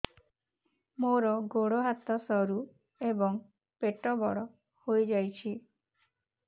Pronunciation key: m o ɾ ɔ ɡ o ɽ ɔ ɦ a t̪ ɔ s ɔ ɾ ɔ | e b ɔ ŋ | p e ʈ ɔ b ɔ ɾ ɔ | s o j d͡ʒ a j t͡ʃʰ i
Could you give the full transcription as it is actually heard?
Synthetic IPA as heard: m o ɾ ɔ ɡ o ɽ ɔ ɦ a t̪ ɔ s ɔ ɾ u | e b ɔ ŋ | p e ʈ ɔ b ɔ ɽ ɔ | h o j d͡ʒ a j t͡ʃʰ i